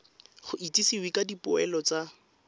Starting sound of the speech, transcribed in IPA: χ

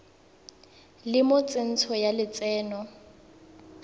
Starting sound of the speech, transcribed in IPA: l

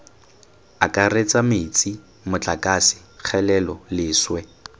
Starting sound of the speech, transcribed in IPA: a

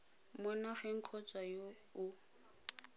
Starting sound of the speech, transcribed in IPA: m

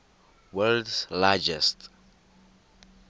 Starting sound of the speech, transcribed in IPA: w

